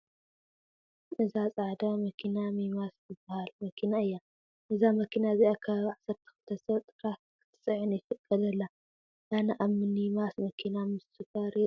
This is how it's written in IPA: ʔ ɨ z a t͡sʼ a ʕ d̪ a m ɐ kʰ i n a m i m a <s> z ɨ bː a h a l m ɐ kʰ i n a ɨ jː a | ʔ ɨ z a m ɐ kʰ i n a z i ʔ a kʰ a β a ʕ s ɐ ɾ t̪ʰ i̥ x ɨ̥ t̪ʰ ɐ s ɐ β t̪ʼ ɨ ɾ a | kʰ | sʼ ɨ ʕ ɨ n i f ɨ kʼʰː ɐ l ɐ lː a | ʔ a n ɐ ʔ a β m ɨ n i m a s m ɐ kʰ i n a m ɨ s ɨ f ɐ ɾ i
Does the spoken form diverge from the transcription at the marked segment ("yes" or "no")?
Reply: no